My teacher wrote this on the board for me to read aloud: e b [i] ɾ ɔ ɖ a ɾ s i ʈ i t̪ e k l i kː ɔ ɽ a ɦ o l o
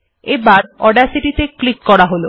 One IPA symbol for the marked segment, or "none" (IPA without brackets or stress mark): a